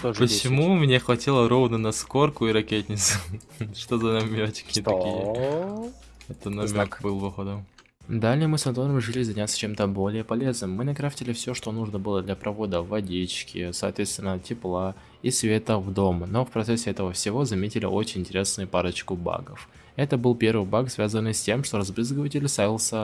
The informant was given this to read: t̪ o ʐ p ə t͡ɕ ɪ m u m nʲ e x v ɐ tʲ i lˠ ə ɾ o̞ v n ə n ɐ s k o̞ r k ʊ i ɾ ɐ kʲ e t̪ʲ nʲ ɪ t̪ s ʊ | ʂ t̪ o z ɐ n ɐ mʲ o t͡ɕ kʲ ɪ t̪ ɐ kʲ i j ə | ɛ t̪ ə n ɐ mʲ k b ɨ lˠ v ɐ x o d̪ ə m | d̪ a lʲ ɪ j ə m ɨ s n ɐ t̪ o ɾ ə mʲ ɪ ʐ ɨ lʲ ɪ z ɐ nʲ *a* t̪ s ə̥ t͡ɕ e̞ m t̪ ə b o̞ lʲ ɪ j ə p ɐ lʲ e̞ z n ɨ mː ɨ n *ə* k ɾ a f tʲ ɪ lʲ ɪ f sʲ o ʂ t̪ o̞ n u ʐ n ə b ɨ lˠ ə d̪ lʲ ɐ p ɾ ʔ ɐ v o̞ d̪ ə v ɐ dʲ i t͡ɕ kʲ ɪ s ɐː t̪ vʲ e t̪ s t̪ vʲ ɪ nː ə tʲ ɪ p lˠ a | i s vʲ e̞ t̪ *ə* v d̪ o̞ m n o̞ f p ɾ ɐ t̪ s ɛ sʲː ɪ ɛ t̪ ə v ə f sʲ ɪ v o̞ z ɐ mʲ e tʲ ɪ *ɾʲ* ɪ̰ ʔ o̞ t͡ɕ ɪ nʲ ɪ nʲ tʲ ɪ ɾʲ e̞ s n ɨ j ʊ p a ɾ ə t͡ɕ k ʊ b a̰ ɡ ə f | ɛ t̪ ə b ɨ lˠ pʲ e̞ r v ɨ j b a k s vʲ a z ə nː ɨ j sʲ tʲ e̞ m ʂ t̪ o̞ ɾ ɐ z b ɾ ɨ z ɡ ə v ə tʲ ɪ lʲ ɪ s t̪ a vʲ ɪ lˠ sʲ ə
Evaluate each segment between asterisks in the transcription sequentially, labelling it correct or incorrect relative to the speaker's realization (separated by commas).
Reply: correct, incorrect, correct, incorrect